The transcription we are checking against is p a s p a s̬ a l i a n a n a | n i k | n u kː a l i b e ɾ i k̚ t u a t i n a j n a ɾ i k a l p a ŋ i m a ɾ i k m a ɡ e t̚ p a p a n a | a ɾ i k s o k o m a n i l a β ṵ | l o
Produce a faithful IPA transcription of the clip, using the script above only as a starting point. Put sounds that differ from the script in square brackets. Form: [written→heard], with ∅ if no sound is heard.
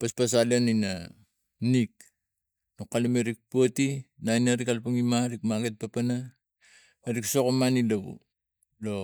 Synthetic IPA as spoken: p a s p a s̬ a l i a n [a→i] n a | n i k | n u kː a l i [b→m] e ɾ i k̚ [t→p] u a t i n a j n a ɾ i k a l p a ŋ i m a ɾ i k m a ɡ e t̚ p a p a n a | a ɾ i k s o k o m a n i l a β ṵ | l o

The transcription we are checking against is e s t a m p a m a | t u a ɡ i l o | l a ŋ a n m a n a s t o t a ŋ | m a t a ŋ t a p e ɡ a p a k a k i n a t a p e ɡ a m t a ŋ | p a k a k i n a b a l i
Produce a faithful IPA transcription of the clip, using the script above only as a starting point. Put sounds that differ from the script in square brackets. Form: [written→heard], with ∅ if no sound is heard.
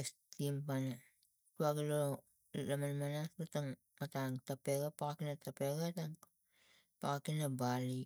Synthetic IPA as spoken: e s t [a→i] m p a [m→n] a | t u a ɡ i l o | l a [ŋ→m] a n m a n a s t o t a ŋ | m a t a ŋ t a p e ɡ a p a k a k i n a t a p e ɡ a [m→∅] t a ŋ | p a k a k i n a b a l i

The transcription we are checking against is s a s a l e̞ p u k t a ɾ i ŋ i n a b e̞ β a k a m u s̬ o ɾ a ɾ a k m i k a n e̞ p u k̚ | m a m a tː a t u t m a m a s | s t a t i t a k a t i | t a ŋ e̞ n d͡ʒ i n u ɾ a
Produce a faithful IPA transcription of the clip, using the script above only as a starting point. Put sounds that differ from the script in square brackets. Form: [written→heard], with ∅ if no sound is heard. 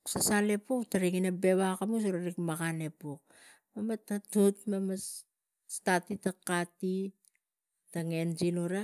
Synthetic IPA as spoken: s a s a l e̞ p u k t a ɾ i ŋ i n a b e̞ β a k a m u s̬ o ɾ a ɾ [a→i] k m [i→a] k a n e̞ p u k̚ | m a m a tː a t u t m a m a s | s t a t i t a k a t i | t a ŋ e̞ n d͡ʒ i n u ɾ a

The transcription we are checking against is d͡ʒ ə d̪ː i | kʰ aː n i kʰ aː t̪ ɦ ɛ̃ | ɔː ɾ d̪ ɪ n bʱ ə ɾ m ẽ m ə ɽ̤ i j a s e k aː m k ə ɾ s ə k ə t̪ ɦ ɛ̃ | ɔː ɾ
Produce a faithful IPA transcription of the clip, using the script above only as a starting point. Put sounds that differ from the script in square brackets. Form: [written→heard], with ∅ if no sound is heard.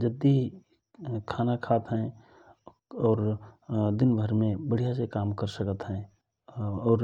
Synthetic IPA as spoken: d͡ʒ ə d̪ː i | kʰ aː n [i→a] kʰ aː t̪ ɦ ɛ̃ | ɔː ɾ d̪ ɪ n bʱ ə ɾ m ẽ [m→b] ə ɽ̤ i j a s e k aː m k ə ɾ s ə k ə t̪ ɦ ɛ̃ | ɔː ɾ

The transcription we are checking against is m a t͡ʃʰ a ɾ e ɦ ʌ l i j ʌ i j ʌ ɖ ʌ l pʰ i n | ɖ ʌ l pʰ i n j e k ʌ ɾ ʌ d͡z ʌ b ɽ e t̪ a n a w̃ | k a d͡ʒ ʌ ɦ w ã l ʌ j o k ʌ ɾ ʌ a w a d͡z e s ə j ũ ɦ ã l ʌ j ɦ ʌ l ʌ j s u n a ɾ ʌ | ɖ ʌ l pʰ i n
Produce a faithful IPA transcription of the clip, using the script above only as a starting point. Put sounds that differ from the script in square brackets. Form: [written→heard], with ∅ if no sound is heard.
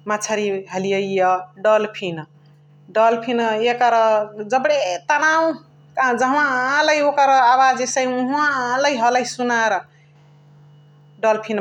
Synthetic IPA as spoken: m a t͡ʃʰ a ɾ [e→i] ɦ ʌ l i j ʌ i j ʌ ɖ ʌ l pʰ i n | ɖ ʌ l pʰ i n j e k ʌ ɾ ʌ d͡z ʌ b ɽ e t̪ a n a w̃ | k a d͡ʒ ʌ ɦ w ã l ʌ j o k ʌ ɾ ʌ a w a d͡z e s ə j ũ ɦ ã l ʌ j ɦ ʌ l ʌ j s u n a ɾ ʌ | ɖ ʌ l pʰ i n

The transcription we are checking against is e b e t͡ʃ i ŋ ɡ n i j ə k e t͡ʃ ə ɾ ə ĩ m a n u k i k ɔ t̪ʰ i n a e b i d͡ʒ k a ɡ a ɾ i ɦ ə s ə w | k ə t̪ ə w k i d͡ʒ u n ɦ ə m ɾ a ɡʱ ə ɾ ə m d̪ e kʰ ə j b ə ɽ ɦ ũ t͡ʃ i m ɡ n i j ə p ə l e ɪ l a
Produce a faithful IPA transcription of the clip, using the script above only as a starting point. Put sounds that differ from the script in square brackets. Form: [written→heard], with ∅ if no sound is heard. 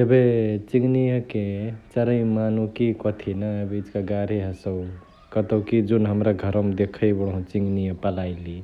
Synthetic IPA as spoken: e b e t͡ʃ i ŋ ɡ n i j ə k e t͡ʃ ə ɾ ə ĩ m a n u k i k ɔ t̪ʰ i n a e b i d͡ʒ k a ɡ a ɾ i ɦ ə s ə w | k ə t̪ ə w k i d͡ʒ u n ɦ ə m ɾ a ɡʱ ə ɾ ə m d̪ e kʰ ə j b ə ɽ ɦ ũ t͡ʃ i [m→ŋ] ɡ n i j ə p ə l [e→a] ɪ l [a→i]

